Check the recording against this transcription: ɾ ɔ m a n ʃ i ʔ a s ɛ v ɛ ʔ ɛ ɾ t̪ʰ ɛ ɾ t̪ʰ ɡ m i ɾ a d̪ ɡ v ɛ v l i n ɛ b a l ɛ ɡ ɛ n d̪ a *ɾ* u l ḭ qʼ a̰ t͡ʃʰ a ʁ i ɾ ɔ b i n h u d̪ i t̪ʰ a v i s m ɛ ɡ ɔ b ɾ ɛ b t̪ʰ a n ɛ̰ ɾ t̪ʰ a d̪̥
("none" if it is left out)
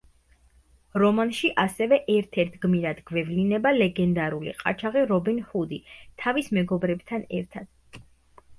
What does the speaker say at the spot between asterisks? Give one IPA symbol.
ɾ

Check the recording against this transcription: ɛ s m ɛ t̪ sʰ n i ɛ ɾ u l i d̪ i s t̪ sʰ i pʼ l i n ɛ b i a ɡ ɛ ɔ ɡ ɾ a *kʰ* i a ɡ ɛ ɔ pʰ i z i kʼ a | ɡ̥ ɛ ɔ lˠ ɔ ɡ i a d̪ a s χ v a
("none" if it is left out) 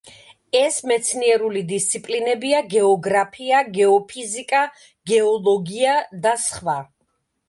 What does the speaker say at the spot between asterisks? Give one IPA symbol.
pʰ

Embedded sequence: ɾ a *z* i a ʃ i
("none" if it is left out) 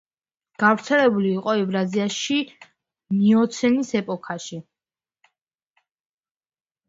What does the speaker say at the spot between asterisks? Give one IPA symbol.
z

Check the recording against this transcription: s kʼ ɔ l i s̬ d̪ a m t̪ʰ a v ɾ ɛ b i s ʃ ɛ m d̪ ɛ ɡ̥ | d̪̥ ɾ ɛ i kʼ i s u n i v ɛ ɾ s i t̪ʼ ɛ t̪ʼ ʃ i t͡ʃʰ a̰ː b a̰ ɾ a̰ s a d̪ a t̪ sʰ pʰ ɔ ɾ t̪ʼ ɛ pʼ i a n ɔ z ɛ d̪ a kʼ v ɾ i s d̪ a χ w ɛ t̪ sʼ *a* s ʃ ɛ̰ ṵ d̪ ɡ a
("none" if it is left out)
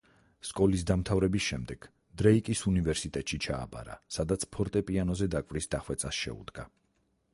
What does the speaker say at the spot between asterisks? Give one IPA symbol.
a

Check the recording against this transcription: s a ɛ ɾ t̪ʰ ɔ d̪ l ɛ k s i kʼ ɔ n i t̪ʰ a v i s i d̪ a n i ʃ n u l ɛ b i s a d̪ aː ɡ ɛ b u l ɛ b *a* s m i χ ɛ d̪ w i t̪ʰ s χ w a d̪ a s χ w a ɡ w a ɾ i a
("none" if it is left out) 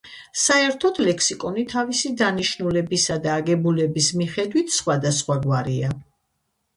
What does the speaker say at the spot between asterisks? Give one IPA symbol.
i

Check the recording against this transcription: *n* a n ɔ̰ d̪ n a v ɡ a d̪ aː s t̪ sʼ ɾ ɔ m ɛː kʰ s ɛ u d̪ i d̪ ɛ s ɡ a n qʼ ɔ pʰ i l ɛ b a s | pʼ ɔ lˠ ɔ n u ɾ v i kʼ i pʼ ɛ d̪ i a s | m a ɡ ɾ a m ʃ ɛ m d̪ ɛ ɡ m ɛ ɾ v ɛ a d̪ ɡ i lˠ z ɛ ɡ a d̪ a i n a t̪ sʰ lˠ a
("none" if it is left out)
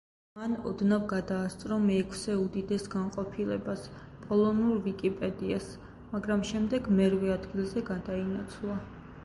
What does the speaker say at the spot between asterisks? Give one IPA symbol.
m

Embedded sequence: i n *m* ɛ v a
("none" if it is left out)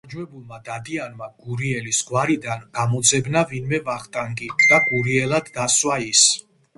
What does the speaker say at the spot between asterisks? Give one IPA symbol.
m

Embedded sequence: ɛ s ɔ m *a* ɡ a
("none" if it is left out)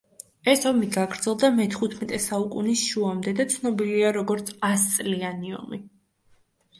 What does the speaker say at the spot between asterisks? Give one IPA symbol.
i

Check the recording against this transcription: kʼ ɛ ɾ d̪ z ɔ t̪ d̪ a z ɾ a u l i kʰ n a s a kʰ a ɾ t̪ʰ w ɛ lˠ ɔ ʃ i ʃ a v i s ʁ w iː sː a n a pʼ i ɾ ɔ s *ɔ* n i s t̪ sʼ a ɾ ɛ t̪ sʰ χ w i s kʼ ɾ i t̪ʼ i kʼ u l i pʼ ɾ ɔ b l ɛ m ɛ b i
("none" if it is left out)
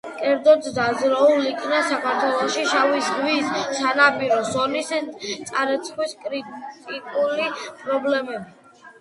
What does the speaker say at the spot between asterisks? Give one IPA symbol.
ɔ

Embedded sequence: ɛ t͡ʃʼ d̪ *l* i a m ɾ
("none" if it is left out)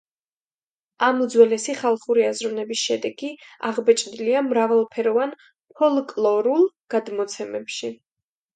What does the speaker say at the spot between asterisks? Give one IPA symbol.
l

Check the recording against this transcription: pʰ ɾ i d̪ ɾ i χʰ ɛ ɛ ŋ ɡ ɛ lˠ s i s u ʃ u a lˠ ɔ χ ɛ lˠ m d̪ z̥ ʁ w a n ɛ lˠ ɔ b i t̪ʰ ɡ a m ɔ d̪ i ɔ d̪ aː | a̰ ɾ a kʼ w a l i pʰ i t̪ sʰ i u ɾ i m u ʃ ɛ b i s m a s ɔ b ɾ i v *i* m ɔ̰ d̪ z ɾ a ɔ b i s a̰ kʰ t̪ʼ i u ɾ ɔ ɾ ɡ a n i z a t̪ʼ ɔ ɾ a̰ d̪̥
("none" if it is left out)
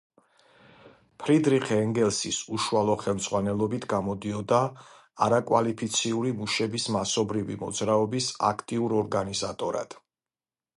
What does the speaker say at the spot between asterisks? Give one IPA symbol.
i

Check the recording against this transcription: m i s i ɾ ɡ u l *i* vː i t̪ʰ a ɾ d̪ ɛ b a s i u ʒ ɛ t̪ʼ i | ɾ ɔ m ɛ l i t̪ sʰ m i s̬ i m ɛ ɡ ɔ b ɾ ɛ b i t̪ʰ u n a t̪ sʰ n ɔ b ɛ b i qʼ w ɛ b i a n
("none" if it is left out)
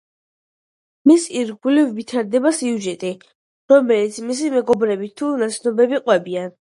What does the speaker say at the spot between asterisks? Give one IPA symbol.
i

